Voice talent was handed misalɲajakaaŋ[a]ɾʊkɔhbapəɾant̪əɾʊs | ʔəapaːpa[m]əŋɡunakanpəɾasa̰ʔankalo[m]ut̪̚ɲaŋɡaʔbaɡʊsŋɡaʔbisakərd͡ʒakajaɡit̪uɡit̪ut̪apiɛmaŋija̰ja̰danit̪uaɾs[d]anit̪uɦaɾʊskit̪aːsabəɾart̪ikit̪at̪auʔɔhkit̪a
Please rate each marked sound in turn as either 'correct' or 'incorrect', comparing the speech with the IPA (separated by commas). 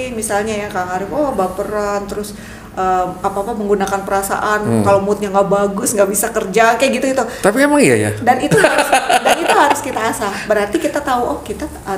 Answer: correct, correct, correct, correct